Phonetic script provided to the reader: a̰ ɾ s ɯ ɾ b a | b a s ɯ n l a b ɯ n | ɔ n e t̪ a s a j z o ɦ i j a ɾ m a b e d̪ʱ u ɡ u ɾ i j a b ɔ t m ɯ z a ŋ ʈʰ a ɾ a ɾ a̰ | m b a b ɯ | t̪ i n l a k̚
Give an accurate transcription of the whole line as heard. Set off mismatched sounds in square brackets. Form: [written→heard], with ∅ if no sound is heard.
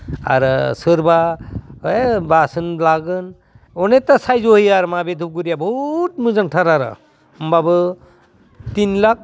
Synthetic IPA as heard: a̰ ɾ s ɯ ɾ b a | b a s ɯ n l a [b→ɡ] ɯ n | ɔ n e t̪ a s a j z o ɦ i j a ɾ m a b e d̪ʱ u ɡ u ɾ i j a b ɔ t m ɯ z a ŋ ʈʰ a ɾ a ɾ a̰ | m b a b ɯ | t̪ i n l a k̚